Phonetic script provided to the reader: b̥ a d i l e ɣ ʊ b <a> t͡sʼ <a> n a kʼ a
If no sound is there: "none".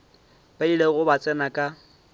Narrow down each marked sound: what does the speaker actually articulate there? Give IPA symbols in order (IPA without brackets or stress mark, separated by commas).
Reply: a, ɛ